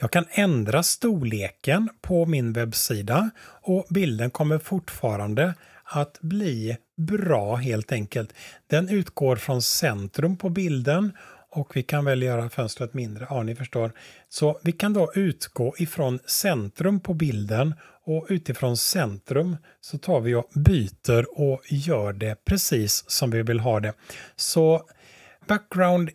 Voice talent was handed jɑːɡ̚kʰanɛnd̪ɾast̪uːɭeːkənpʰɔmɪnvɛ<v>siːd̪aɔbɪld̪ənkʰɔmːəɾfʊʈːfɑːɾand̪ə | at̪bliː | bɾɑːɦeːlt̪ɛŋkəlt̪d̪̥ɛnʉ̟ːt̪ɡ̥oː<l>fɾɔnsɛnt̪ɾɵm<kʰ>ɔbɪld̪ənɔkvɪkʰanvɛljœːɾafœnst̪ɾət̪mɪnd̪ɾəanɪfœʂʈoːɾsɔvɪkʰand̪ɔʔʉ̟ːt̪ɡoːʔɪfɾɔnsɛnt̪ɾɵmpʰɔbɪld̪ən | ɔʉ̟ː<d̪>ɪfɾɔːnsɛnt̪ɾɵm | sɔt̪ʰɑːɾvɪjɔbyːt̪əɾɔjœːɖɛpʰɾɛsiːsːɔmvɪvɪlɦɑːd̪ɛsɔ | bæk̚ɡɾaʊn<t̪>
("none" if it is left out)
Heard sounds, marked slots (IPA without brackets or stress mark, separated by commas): b, ɾ, pʰ, t̪, d̪